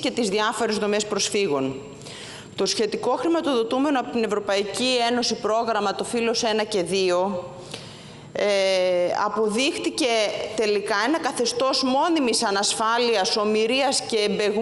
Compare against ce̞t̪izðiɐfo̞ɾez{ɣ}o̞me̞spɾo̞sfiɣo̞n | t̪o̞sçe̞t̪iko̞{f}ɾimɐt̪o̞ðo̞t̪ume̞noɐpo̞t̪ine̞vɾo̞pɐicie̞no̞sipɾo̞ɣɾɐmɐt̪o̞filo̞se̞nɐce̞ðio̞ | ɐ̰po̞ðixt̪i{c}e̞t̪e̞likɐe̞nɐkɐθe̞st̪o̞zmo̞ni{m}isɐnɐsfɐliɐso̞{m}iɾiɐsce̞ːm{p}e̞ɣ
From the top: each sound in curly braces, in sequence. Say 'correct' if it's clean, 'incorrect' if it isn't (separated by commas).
incorrect, incorrect, correct, correct, correct, incorrect